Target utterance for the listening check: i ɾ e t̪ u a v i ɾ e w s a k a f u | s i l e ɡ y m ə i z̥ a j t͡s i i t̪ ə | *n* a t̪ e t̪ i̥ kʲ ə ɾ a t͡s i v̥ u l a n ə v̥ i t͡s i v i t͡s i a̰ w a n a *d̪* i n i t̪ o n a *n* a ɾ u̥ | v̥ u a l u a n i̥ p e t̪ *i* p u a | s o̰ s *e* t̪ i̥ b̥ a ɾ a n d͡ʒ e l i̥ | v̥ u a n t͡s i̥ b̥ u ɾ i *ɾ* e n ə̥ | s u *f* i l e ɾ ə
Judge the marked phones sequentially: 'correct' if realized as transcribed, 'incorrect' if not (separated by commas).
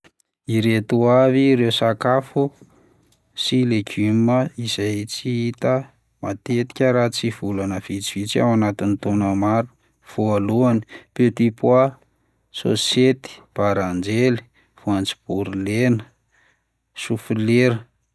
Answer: incorrect, incorrect, incorrect, correct, correct, incorrect, correct